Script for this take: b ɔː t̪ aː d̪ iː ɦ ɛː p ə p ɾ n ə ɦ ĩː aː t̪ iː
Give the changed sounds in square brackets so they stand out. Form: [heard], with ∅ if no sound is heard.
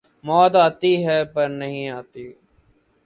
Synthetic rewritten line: [m] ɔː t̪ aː [t̪] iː ɦ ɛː p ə [∅] ɾ n ə ɦ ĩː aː t̪ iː